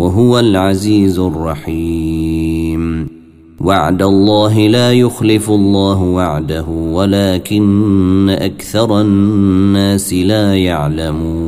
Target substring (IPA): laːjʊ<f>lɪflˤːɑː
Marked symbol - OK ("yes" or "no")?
no